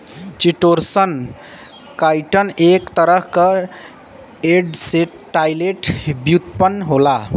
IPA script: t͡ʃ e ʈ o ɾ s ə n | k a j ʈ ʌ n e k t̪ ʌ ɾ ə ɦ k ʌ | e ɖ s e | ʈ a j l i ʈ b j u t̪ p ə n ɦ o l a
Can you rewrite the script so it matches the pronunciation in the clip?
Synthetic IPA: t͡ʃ i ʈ o ɾ s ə n | k a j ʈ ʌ n e k t̪ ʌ ɾ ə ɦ k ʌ | e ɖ s e | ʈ a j l e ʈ b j u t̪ p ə n ɦ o l a

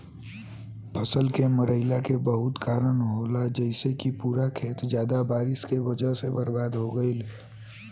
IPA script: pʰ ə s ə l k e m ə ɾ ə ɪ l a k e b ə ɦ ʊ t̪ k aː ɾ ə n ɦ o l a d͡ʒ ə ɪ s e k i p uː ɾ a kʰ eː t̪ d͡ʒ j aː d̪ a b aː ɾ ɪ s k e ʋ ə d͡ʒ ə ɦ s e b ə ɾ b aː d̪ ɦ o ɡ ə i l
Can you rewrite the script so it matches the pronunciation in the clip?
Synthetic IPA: pʰ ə s ə l k e m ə ɾ ə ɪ l a k e b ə ɦ ʊ t̪ k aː ɾ ə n ɦ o l a d͡ʒ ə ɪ s e k i p uː ɾ a kʰ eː t̪ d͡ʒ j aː d̪ a b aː ɾ ɪ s k e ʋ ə d͡ʒ ə ɦ s e b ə ɾ b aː d̪ ɦ o ɡ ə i l

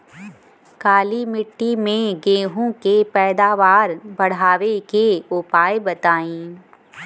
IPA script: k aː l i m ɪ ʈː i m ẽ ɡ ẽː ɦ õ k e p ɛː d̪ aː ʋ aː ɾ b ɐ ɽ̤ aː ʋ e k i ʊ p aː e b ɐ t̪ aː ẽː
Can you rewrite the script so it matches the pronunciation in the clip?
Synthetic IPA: k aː l i m ɪ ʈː i m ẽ ɡ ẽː ɦ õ k e p ɛː d̪ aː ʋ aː ɾ b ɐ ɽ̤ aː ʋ e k e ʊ p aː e b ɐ t̪ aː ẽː

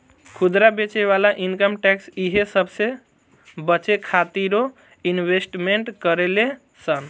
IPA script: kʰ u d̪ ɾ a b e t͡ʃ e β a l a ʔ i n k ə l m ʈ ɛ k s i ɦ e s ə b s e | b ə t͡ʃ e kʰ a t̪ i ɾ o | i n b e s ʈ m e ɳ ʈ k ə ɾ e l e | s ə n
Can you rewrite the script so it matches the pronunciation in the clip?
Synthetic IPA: kʰ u d̪ ɾ a b e t͡ʃ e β a l a ʔ i n k ə m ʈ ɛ k s i ɦ e s ə b s e | b ə t͡ʃ e kʰ a t̪ i ɾ o | i n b e s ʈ m e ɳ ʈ k ə ɾ e l e | s ə n

